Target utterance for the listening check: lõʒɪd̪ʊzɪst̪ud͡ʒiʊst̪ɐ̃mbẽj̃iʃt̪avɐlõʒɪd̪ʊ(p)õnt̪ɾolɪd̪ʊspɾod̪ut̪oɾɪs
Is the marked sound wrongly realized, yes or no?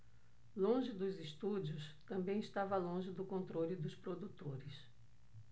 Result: yes